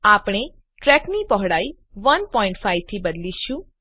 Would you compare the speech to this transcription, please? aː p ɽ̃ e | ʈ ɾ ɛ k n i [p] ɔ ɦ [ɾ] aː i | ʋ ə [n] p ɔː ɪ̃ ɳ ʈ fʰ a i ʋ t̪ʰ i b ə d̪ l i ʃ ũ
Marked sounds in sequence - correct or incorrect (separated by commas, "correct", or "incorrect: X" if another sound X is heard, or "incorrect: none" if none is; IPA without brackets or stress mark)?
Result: correct, incorrect: ɽ, correct